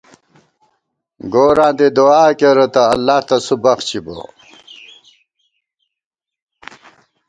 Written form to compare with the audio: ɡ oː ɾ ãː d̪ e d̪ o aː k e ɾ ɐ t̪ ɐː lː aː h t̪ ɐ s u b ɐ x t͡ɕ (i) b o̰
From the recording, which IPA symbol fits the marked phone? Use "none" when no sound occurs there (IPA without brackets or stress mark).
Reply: i